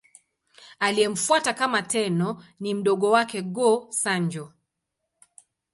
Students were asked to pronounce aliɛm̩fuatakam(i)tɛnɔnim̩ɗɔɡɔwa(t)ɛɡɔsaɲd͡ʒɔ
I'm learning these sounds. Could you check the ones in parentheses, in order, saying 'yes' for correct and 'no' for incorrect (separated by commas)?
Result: no, no